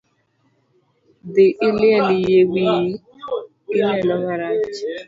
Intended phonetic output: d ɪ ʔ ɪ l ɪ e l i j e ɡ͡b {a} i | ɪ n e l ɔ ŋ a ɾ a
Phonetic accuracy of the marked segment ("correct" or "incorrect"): incorrect